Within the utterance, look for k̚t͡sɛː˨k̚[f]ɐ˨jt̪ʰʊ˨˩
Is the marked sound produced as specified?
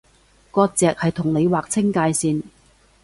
no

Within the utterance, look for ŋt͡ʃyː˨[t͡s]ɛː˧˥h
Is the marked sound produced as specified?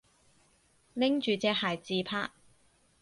yes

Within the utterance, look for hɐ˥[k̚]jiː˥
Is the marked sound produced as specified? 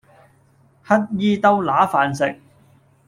no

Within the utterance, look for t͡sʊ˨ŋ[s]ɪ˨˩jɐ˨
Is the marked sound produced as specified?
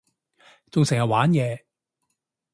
yes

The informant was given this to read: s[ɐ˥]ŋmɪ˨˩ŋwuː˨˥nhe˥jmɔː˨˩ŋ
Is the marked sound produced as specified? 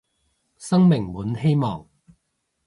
yes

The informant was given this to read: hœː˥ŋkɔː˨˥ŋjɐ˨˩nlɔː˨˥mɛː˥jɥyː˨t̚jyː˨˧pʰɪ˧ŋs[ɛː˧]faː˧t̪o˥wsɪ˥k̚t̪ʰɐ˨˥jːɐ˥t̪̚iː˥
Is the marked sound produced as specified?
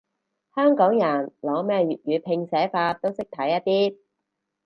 no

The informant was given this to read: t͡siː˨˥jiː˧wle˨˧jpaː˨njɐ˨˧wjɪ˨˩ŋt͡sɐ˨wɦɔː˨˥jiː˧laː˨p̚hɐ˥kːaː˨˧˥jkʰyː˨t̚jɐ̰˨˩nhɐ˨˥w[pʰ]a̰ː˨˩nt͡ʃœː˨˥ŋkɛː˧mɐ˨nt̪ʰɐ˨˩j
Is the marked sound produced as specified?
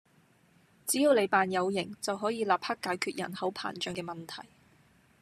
yes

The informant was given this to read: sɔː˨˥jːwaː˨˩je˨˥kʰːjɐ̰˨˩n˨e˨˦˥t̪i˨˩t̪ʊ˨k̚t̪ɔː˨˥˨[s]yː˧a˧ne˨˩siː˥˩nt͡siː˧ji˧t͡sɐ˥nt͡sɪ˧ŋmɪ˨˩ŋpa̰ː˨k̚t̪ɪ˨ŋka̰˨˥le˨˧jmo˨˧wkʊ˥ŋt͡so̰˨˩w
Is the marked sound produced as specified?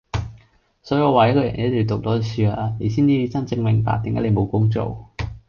yes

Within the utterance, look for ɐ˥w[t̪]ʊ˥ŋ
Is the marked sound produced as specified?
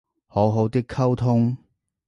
no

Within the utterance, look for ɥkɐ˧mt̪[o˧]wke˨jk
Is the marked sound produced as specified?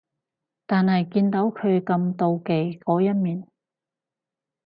yes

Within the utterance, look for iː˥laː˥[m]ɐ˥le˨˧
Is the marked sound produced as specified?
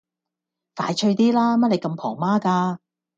yes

